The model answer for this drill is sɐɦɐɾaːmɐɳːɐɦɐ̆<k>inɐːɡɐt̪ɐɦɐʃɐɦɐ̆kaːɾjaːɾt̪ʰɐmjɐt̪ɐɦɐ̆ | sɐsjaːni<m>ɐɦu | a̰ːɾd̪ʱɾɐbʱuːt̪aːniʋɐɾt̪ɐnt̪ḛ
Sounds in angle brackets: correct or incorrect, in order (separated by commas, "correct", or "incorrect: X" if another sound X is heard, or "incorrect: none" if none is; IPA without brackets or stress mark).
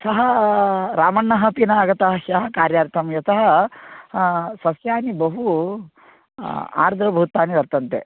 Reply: incorrect: p, incorrect: b